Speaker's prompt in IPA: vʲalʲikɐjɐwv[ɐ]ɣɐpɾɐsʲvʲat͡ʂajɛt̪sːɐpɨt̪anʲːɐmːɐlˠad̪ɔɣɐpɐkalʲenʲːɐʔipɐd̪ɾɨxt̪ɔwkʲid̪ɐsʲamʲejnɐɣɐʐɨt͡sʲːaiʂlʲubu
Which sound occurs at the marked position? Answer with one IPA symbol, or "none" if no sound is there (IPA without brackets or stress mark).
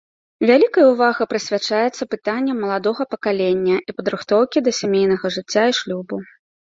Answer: a